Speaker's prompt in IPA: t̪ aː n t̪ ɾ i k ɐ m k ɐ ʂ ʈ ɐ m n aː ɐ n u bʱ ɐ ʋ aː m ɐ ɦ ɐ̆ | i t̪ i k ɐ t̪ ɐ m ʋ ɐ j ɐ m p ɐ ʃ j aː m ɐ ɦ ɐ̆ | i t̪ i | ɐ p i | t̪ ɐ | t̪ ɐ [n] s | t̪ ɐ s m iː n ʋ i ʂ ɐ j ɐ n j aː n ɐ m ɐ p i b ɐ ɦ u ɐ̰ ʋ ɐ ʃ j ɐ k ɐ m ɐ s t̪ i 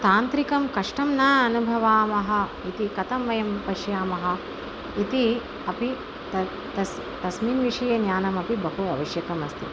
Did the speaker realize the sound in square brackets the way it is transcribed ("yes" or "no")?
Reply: no